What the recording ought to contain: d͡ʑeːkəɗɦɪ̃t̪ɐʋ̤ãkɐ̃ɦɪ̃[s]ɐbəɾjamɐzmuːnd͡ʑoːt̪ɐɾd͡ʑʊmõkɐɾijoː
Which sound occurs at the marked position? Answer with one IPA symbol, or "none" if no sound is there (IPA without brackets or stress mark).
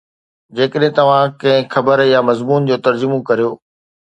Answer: x